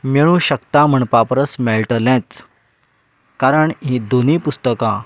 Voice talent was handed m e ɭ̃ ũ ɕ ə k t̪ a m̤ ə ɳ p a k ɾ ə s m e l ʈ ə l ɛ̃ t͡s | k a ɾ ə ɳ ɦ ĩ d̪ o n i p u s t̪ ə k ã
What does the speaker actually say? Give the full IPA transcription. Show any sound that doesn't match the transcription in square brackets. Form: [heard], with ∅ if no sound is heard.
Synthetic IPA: m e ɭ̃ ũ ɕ ə k t̪ a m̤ ə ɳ p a [p] ɾ ə s m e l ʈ ə l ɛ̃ t͡s | k a ɾ ə ɳ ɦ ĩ d̪ o n i p u s t̪ ə k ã